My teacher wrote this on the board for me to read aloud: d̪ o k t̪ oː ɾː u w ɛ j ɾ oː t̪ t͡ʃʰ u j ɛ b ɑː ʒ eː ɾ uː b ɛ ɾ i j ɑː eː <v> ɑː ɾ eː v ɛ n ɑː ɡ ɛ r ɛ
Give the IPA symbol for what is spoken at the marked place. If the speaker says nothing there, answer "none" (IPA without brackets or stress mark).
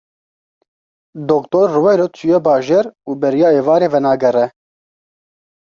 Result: v